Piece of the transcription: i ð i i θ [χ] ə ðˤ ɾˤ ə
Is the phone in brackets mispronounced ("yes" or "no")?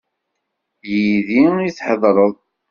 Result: yes